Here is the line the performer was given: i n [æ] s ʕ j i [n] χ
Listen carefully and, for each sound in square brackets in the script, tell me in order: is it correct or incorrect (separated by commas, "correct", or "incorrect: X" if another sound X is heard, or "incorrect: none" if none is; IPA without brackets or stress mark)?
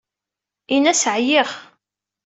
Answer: correct, incorrect: none